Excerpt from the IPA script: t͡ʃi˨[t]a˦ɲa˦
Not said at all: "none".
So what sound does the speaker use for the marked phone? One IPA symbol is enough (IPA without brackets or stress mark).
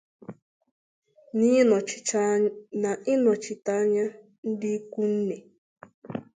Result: t